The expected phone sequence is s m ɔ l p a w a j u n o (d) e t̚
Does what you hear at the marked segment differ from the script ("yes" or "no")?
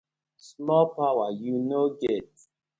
yes